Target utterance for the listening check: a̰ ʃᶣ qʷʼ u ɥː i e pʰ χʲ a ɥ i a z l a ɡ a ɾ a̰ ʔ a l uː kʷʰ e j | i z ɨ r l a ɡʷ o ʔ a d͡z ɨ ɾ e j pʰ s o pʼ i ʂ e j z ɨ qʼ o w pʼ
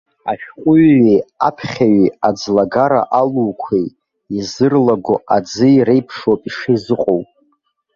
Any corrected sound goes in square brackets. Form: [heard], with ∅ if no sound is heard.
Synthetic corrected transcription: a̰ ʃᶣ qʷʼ [ʊ] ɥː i [a] pʰ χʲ a ɥ i a [d͡z] l a ɡ a ɾ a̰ ʔ a l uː kʷʰ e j | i z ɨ r l a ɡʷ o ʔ a d͡z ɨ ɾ e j pʰ [ʂ] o pʼ i ʂ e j z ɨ qʼ o w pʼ